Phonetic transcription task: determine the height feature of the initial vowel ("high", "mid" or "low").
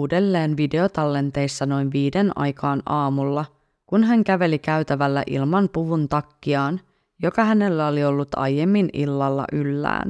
high